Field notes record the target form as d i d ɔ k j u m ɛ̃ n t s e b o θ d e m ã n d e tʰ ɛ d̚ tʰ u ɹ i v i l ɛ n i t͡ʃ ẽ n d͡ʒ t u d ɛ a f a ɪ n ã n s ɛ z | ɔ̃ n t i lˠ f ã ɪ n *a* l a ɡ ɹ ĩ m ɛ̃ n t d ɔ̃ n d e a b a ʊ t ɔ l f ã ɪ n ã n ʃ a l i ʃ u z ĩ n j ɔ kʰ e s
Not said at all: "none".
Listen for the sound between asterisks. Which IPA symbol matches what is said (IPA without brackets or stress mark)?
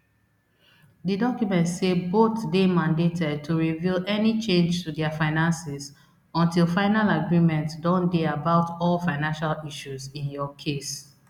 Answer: a